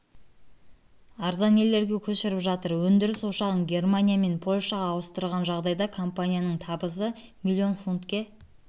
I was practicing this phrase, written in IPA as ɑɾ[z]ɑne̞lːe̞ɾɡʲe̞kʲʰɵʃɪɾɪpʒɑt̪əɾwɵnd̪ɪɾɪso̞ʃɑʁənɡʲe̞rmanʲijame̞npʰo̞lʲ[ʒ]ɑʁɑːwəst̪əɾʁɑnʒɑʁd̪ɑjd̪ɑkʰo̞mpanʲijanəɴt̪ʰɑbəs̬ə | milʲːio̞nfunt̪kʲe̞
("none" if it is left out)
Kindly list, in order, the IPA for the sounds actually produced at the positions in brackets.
z, ʃ

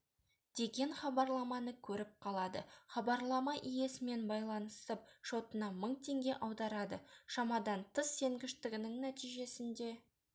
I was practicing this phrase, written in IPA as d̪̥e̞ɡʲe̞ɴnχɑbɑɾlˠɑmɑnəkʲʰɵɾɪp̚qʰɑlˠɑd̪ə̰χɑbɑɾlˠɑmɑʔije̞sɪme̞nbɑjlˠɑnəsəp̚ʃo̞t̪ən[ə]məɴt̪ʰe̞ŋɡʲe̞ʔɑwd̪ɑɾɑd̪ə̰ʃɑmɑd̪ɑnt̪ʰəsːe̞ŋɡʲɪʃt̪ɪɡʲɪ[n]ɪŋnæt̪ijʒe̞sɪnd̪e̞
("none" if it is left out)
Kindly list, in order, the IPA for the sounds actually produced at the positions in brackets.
ɑ, n

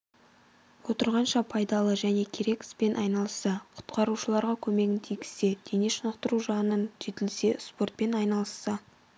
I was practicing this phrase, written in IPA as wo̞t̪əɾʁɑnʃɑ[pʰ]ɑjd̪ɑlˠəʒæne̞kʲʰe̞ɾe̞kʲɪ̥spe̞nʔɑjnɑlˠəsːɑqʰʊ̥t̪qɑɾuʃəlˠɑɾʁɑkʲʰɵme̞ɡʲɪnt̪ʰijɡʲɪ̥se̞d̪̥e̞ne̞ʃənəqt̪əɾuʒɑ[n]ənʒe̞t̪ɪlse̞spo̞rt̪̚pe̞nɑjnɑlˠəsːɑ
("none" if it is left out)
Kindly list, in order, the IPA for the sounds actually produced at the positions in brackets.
pʰ, n

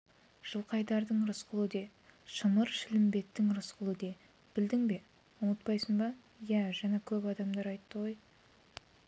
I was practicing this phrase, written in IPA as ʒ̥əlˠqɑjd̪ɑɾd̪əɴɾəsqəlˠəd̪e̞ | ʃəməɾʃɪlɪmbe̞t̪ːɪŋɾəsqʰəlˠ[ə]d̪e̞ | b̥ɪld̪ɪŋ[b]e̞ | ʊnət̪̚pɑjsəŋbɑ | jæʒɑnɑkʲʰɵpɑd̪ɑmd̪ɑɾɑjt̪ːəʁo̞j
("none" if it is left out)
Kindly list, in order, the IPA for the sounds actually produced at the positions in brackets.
ə, b

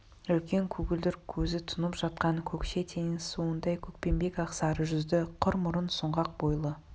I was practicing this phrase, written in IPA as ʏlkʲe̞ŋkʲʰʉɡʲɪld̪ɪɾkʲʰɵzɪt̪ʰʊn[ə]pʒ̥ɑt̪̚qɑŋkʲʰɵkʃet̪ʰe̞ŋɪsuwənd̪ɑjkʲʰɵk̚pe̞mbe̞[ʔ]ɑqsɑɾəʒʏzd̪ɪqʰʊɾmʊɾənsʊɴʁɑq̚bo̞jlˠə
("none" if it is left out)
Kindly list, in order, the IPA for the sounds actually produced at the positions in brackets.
ə, k

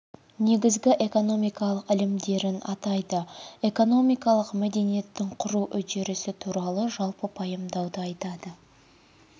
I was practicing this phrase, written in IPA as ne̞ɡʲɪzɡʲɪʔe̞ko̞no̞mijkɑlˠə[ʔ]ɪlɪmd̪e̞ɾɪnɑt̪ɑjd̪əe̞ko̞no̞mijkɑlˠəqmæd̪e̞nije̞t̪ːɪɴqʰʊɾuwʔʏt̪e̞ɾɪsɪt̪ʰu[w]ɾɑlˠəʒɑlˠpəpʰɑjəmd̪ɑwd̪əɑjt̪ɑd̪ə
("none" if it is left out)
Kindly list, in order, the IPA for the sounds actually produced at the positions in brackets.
q, none

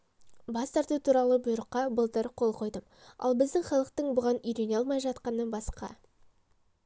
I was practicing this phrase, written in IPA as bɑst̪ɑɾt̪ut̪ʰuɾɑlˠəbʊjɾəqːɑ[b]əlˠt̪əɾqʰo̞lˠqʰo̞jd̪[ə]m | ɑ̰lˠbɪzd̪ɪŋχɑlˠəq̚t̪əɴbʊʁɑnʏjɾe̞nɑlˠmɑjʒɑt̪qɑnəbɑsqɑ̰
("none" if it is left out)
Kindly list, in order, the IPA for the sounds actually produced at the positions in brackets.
b, ə

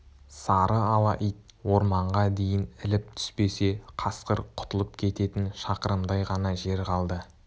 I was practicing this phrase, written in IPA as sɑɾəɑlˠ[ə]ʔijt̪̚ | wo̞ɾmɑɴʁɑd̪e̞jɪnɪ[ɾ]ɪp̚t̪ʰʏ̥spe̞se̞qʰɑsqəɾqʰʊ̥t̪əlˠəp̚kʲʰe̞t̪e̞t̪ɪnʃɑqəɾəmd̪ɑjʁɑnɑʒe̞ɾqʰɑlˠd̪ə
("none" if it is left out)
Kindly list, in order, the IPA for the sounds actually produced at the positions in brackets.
ɑ, l

